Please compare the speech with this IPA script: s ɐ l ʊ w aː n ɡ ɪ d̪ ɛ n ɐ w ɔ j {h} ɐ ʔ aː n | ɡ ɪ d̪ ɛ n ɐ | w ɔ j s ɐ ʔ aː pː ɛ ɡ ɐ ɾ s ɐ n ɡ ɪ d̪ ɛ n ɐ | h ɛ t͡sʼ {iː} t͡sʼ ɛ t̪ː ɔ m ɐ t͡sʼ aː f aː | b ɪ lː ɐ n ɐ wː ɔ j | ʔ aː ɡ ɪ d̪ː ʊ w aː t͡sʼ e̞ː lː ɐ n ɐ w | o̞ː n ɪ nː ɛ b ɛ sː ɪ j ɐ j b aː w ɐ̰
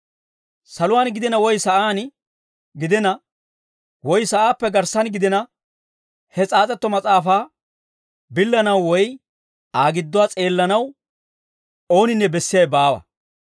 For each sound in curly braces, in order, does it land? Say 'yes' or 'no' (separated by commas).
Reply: no, no